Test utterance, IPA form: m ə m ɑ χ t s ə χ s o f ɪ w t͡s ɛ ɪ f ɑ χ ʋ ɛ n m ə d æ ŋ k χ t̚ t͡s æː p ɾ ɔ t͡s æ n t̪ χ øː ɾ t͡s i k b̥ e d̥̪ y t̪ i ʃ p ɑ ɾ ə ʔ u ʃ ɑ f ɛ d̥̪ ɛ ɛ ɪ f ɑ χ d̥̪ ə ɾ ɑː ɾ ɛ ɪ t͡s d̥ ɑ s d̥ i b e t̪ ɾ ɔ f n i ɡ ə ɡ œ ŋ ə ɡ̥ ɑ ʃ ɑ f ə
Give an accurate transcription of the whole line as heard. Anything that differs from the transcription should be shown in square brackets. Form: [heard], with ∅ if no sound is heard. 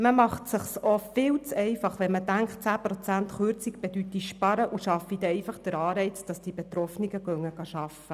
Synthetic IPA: m ə m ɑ χ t s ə χ s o f ɪ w t͡s ɛ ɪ f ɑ χ ʋ ɛ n m ə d æ ŋ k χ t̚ t͡s æː p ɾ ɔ t͡s æ n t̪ χ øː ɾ t͡s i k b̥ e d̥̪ y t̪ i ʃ p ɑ ɾ ə ʔ u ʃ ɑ f [i] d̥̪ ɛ ɛ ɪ f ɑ χ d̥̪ ə ɾ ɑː ɾ ɛ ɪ t͡s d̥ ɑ s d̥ i b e t̪ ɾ ɔ f n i ɡ ə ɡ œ ŋ ə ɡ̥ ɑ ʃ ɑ f ə

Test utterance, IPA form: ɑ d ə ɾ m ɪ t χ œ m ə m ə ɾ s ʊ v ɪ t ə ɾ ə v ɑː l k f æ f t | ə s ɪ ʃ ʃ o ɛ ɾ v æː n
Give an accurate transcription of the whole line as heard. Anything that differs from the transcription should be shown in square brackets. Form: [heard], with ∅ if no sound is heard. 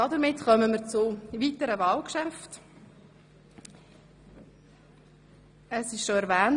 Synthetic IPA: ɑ d ə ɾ m ɪ t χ œ m ə m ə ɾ [t͡s] ʊ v [i] t ə ɾ ə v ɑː l k [ʃ] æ f t | ə s ɪ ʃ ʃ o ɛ ɾ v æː n

